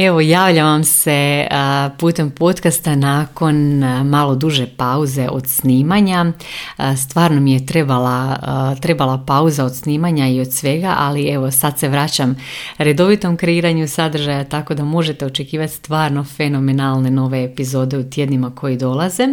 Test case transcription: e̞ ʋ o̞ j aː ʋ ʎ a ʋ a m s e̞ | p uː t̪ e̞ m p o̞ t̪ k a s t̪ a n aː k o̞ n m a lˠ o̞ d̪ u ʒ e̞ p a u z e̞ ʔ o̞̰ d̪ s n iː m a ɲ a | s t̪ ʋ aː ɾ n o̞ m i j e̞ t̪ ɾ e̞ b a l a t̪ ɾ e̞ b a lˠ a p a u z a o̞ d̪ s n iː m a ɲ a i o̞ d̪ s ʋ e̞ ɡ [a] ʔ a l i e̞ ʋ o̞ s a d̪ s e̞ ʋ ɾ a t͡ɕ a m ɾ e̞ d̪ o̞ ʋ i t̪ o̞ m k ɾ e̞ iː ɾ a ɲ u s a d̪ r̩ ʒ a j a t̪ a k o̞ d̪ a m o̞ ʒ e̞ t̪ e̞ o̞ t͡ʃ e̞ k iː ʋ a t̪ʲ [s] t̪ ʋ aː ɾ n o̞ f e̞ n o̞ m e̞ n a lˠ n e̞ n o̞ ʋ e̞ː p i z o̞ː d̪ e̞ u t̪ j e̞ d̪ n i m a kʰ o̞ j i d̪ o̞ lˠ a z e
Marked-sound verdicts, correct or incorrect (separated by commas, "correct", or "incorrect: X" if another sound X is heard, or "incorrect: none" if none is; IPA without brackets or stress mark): correct, correct